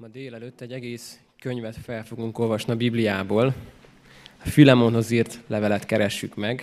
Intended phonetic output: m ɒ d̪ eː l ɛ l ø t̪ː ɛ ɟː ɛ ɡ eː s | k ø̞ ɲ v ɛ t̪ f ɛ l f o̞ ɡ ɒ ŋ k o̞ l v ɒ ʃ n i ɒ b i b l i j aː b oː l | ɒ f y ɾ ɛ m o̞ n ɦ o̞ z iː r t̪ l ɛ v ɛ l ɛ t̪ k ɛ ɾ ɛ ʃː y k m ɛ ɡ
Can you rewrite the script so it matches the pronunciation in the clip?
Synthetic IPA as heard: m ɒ d̪ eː l ɛ l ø t̪ː ɛ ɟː ɛ ɡ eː s | k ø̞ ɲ v ɛ t̪ f ɛ l f o̞ ɡ u ŋ k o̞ l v ɒ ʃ n i ɒ b i b l i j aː b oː l | ɒ f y l ɛ m o̞ n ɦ o̞ z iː r t̪ l ɛ v ɛ l ɛ t̪ k ɛ ɾ ɛ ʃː y k m ɛ ɡ